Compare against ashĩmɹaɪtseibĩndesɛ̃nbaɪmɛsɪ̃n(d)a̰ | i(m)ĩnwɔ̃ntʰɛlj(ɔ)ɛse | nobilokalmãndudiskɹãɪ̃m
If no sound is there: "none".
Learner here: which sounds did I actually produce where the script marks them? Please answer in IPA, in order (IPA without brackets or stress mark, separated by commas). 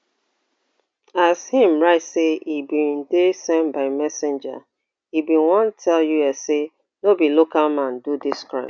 d͡ʒ, b, u